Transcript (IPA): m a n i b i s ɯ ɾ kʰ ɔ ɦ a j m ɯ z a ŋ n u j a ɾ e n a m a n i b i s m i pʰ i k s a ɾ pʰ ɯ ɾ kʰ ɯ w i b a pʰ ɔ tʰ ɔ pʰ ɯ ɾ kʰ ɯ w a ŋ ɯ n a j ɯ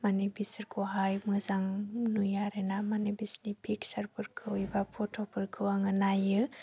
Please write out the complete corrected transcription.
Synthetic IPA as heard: m a n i b i s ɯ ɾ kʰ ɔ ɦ a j m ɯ z a ŋ n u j a ɾ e n a m a n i b i s n i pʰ i k s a ɾ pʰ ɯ ɾ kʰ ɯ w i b a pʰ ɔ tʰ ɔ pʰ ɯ ɾ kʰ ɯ w a ŋ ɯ n a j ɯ

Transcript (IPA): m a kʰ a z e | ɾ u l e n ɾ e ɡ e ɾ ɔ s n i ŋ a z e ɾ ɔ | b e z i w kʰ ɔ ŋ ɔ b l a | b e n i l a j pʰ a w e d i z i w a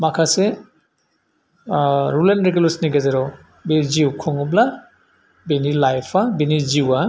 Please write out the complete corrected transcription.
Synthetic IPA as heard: m a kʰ a s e | ɾ u l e n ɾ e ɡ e l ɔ s n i ɡ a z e ɾ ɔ | b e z i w kʰ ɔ ŋ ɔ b l a | b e n i l a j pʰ a b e n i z i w a

